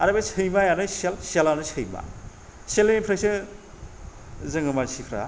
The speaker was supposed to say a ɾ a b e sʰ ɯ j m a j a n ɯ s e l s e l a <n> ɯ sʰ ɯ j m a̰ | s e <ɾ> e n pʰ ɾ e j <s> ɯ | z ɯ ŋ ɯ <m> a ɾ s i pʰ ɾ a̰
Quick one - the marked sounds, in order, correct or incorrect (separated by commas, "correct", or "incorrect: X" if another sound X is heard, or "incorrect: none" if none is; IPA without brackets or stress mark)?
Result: correct, incorrect: l, correct, correct